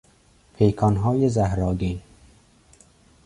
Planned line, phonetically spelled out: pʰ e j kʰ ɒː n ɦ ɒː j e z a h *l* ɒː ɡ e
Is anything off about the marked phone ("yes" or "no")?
yes